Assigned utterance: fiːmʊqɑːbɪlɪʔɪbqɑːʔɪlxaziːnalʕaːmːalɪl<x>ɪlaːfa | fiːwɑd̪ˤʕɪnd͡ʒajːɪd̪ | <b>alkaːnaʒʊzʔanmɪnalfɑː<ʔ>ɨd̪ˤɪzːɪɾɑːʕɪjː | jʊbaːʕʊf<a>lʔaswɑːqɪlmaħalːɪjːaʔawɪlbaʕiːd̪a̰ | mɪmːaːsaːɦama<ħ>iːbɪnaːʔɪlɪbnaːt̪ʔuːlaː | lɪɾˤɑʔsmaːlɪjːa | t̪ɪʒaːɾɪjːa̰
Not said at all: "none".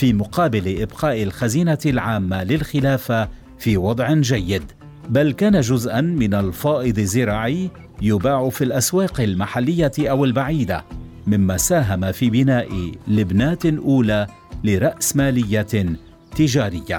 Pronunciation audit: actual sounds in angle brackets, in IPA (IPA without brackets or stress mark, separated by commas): x, b, ʔ, i, f